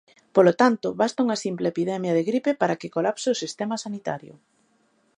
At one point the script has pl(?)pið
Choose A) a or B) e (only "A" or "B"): B